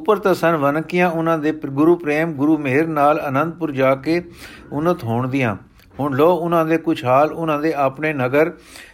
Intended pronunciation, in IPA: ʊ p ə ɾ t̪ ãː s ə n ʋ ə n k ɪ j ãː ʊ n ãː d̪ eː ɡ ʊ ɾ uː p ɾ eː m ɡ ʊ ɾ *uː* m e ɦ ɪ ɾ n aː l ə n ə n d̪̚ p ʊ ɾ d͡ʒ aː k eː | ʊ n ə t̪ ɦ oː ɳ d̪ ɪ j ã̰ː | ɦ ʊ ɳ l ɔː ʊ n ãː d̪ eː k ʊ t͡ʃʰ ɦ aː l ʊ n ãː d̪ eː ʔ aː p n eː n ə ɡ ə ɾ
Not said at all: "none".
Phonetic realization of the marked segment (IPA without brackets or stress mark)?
uː